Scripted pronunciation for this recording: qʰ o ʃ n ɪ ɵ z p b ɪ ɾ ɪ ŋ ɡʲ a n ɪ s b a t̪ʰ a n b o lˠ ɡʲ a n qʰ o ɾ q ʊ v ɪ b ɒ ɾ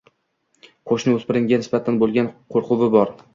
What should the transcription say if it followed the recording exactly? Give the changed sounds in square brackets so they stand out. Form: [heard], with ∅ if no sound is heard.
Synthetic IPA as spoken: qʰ o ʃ n ɪ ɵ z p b ɪ ɾ ɪ ŋ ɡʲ a n ɪ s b a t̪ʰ a n b o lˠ ɡʲ a n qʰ o ɾ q ʊ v ɪ b ɒ ɾ